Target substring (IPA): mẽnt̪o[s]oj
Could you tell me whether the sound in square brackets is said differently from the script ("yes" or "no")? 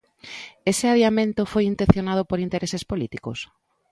yes